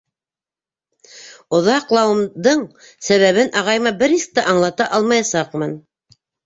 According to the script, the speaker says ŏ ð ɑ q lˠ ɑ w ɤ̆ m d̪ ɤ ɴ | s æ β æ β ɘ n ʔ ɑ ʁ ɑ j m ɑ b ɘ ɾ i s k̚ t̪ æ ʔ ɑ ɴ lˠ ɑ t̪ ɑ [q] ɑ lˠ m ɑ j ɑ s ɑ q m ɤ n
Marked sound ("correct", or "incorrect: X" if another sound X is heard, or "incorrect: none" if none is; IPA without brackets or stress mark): incorrect: ʔ